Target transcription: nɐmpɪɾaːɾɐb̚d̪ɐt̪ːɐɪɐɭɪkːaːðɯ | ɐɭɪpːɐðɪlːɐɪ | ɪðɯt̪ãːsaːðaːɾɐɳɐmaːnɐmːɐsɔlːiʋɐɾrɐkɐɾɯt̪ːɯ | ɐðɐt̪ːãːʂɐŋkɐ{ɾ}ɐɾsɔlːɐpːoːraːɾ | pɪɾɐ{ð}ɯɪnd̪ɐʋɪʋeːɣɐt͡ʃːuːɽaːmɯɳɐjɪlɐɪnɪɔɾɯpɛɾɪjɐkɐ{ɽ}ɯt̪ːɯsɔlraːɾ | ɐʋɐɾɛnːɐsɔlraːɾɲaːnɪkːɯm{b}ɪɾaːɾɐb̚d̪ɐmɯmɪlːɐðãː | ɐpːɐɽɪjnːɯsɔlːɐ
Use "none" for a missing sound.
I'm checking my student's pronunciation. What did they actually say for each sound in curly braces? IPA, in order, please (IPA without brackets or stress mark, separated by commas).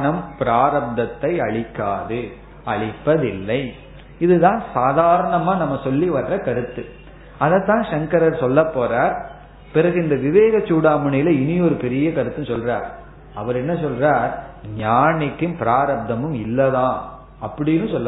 ɾ, ɣ, ɾ, p